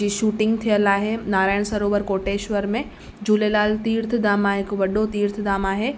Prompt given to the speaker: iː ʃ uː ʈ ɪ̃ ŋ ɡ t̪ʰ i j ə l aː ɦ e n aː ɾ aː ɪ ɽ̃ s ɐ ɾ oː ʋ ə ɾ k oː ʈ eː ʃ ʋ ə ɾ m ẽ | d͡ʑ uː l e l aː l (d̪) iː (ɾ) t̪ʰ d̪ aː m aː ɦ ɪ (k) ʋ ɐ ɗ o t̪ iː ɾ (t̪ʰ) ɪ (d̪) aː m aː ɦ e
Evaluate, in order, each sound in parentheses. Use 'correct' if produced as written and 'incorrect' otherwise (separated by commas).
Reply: incorrect, correct, correct, correct, correct